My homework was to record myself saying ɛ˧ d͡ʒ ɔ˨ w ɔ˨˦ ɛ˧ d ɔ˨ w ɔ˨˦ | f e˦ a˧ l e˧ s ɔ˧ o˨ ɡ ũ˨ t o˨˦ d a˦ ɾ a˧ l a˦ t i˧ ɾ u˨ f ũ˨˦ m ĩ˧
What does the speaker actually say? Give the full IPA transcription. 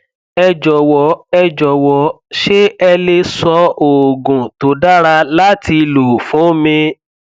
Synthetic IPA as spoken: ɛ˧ d͡ʒ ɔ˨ w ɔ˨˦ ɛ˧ d͡ʒ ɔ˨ w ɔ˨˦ | ʃ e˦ ɛ˧ l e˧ s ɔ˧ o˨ ɡ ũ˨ t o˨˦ d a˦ ɾ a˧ l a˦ t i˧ l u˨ f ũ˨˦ m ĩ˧